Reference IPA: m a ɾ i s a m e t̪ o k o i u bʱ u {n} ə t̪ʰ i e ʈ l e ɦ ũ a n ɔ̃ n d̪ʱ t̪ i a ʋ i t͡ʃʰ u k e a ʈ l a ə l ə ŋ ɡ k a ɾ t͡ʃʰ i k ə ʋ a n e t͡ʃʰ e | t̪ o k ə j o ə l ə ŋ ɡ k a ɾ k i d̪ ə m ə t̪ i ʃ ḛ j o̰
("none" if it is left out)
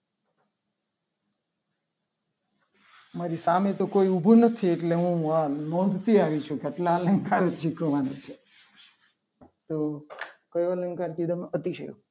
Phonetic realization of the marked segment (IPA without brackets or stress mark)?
n